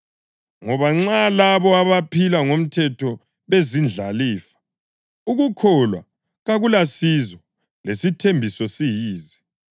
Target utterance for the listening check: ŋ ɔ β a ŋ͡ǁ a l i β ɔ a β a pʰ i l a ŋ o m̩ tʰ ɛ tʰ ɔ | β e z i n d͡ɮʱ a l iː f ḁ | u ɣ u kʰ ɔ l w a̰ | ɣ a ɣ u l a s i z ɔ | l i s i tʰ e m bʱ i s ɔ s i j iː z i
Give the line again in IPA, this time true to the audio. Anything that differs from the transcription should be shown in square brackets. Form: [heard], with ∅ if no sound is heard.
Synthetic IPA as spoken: ŋ ɔ β a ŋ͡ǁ a l [a] β ɔ a β a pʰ i l a ŋ o m̩ tʰ ɛ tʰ ɔ | β e z i n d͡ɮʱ a l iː f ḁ | u ɣ u kʰ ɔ l w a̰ | ɣ a ɣ u l a s i z ɔ | l [e] s i tʰ e m bʱ i s ɔ s i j iː z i